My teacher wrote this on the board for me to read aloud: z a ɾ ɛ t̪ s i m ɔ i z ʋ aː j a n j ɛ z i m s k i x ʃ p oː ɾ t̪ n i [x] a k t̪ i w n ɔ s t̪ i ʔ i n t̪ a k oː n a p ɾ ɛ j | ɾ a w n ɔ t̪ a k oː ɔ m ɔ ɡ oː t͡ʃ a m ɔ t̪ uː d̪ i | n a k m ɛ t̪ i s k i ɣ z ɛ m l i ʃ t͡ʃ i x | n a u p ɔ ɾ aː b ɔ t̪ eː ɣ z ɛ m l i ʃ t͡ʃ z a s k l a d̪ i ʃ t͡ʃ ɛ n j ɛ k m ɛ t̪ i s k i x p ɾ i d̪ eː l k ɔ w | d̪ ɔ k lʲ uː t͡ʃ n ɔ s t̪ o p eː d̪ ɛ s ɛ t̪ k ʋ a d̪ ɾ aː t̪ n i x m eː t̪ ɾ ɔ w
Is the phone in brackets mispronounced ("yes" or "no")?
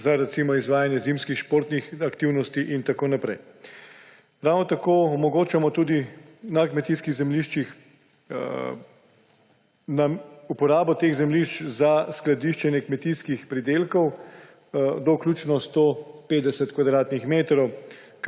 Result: no